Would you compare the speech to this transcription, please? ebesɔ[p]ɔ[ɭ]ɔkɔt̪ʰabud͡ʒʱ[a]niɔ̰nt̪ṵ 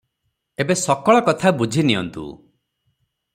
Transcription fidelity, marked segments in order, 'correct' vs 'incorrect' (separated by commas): incorrect, correct, incorrect